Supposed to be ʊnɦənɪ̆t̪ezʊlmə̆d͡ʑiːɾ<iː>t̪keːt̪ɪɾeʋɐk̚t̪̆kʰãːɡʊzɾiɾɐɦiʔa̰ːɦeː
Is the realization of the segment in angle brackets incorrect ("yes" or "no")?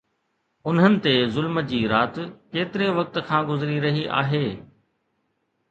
yes